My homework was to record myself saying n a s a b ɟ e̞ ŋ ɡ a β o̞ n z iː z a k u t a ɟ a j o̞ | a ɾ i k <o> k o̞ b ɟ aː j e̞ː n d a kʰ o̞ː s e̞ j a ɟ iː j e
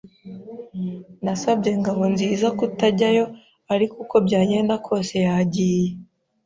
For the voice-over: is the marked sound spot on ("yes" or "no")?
no